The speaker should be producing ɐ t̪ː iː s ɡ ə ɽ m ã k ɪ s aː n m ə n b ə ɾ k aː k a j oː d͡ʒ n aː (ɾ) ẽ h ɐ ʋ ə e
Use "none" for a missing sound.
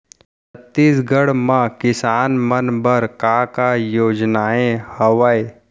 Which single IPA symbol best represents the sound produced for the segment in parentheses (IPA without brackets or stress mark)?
none